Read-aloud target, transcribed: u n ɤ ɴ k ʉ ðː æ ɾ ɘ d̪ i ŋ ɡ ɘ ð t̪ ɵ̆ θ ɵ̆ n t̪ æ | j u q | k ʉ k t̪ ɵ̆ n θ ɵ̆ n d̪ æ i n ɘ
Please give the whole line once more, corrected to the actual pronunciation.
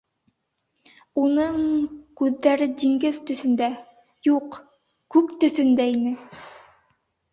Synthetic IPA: u n ɤ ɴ k ʉ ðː æ ɾ ɘ d̪ i ŋ ɡ ɘ ð t̪ ɵ̆ θ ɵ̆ n d̪ æ | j u q | k ʉ k t̪ ɵ̆ θ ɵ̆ n d̪ æ i n ɘ

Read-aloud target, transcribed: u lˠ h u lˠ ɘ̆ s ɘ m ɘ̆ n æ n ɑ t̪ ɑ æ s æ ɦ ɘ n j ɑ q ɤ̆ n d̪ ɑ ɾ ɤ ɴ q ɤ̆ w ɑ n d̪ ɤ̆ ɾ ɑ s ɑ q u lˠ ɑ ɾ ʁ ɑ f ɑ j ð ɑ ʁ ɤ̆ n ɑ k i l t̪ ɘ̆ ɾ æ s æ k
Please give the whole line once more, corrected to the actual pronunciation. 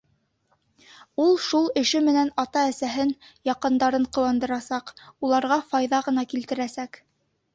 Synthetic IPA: u lˠ ʃ u lˠ ɘ̆ ʃ ɘ m ɘ̆ n æ n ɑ t̪ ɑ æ s æ ɦ ɘ n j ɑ q ɤ̆ n d̪ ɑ ɾ ɤ ɴ q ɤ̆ w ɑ n d̪ ɤ̆ ɾ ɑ s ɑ q u lˠ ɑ ɾ ʁ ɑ f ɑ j ð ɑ ʁ ɤ̆ n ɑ k i l t̪ ɘ̆ ɾ æ s æ k

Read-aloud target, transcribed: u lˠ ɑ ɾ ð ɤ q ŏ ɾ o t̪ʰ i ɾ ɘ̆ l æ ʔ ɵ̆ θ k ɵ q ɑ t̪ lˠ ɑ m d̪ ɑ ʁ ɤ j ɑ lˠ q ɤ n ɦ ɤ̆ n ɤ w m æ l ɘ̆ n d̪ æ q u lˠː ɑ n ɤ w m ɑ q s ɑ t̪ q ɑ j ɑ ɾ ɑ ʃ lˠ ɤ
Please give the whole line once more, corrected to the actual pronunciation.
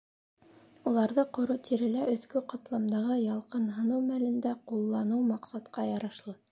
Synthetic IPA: u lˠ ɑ ɾ ð ɤ q ŏ ɾ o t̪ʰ i ɾ ɘ̆ l æ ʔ ɵ̆ θ k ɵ q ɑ t̪ lˠ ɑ m d̪ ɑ ʁ ɤ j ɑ lˠ q ɤ n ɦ ɤ̆ n ɤ w m æ l ɘ̆ n d̪ æ q u lˠː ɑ n ɤ w m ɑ q s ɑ t̪ q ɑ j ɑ ɾ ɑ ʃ lˠ ɤ

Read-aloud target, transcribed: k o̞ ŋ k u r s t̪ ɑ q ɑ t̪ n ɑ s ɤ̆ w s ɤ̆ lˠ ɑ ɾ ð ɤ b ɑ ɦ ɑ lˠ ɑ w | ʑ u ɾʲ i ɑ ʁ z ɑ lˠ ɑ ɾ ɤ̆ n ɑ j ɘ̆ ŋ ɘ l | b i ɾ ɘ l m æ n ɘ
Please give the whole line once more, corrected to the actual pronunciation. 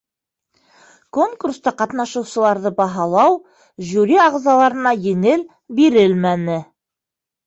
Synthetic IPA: k o̞ ŋ k u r s t̪ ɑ q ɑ t̪ n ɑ ʃ ɤ̆ w s ɤ̆ lˠ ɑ ɾ ð ɤ b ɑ ɦ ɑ lˠ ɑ w | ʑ u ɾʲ i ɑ ʁ z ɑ lˠ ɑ ɾ ɤ̆ n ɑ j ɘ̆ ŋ ɘ l | b i ɾ ɘ l m æ n ɘ

